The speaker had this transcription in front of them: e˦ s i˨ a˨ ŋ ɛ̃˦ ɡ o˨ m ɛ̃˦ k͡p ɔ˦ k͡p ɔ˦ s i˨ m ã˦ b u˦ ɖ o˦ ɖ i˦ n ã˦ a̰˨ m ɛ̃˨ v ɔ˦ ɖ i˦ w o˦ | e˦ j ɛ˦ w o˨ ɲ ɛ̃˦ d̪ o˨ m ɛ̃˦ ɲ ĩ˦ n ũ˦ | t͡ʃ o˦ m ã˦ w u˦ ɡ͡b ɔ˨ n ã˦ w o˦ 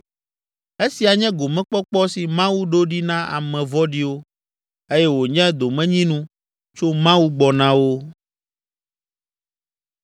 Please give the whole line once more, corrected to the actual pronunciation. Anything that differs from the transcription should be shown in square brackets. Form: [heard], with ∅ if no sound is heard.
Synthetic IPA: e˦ s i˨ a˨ [ɲ] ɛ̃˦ ɡ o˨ m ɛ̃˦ k͡p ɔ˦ k͡p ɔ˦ s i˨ m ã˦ [w] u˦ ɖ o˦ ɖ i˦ n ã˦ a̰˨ m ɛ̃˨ v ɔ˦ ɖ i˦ w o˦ | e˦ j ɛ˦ w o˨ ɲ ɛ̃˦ d̪ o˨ m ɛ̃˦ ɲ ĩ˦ n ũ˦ | t͡ʃ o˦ m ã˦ w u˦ ɡ͡b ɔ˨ n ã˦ w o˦